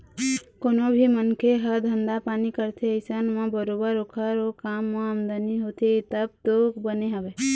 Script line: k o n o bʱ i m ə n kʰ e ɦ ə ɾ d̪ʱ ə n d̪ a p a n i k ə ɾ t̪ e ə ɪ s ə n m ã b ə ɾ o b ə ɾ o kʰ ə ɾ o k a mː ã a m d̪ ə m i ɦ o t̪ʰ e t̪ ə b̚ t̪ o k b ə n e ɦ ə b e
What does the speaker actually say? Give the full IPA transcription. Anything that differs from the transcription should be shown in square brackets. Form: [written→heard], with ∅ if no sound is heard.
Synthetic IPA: k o n o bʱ i m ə n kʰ e ɦ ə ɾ d̪ʱ ə n d̪ a p a n i k ə ɾ [t̪→t̪ʰ] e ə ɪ s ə n m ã b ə ɾ o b ə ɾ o kʰ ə ɾ o k a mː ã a m d̪ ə [m→n] i ɦ o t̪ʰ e t̪ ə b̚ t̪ o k b ə n e ɦ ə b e